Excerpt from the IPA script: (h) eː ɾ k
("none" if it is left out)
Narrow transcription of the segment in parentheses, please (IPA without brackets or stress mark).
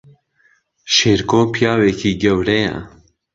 ʃ